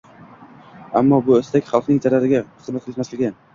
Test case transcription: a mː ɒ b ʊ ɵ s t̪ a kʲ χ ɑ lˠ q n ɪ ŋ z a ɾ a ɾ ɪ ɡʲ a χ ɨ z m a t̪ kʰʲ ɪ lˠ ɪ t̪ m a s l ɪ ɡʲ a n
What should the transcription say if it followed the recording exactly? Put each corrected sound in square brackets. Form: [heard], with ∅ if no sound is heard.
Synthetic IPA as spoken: a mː ɒ b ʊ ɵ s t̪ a kʲ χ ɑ lˠ q n ɪ ŋ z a ɾ a ɾ ɪ ɡʲ a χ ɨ z m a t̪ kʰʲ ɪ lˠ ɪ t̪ m a s l ɪ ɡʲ a n